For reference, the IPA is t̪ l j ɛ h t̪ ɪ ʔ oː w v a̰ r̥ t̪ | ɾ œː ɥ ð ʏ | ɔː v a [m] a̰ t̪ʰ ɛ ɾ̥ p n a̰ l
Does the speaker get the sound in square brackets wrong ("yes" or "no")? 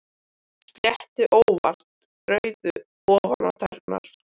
yes